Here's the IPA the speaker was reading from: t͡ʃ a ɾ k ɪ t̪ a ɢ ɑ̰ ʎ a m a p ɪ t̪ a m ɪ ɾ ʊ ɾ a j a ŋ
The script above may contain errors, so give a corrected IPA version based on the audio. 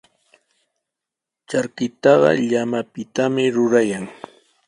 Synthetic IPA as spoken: t͡ʃ a ɾ k ɪ t̪ ɑ ɢ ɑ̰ ʎ a m a p ɪ t̪ a m ɪ ɾ ʊ ɾ a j a ŋ